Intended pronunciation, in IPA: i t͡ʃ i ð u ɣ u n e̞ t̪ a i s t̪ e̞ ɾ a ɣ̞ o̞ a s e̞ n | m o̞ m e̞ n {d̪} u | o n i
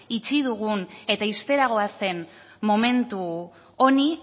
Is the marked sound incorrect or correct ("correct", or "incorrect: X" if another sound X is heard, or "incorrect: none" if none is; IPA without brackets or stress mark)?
incorrect: t̪